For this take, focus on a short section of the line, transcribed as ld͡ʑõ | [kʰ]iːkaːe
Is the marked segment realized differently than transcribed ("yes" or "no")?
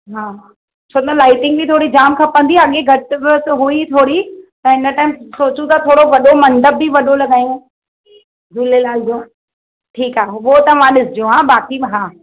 yes